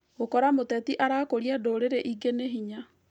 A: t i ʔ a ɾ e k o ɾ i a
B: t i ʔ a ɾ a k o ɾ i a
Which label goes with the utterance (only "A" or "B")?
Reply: B